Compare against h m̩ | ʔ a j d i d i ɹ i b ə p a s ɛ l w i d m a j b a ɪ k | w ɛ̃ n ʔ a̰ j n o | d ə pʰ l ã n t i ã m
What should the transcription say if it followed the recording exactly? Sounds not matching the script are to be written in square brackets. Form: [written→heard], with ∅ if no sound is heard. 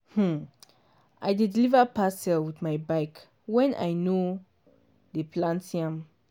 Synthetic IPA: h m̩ | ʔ a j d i d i [ɹ→l] i [b→v] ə p a s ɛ l w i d m a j b a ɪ k | w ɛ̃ n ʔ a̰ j n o | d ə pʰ l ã n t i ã m